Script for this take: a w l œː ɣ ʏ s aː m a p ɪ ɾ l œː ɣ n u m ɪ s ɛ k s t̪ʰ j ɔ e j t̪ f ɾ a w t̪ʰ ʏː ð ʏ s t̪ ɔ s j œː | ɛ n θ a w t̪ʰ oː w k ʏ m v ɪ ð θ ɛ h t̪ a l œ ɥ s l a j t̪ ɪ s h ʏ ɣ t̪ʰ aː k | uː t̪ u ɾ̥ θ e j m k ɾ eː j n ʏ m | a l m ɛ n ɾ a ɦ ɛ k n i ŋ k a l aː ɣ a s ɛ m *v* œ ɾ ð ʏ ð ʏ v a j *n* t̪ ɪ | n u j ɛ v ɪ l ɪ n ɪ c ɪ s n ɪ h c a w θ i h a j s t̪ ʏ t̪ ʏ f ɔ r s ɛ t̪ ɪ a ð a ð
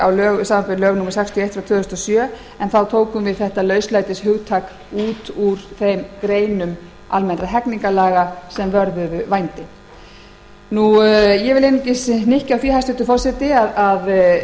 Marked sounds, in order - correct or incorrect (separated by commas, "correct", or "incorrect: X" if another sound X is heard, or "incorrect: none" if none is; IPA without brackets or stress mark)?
correct, correct